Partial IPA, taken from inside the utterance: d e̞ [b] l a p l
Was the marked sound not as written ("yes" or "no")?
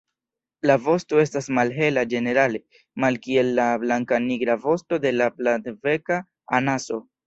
yes